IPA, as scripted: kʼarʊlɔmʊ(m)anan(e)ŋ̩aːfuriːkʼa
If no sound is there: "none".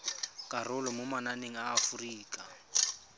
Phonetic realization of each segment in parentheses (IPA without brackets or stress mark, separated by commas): m, e